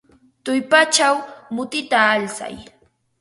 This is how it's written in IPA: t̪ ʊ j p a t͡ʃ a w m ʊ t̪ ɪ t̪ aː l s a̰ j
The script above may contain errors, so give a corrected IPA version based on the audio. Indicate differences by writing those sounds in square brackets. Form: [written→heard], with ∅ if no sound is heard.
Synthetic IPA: t̪ ʊ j p a t͡ʃ a w m ʊ t̪ ɪ t̪ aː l s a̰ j